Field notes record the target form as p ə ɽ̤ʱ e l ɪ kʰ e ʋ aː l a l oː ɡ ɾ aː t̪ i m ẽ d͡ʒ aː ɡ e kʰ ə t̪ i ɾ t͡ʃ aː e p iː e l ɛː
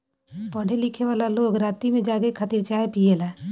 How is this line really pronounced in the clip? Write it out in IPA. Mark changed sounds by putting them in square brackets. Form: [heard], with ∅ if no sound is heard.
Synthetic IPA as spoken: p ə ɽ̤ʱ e l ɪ kʰ e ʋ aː l a l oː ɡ ɾ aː t̪ i m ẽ d͡ʒ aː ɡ e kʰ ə t̪ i ɾ t͡ʃ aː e p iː e l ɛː